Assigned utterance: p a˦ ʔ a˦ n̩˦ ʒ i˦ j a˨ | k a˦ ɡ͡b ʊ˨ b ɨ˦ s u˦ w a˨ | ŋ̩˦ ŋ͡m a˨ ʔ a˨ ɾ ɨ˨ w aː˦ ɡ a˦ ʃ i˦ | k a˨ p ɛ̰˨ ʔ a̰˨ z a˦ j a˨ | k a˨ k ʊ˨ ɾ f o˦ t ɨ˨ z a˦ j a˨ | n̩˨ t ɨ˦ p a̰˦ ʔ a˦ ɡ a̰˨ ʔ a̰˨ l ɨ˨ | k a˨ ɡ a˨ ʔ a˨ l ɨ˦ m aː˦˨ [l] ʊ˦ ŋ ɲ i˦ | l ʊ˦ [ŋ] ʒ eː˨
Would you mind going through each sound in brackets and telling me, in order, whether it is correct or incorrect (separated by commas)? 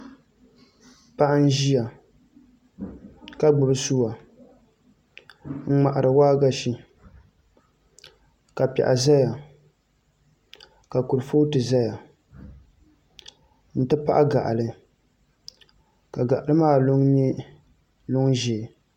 correct, correct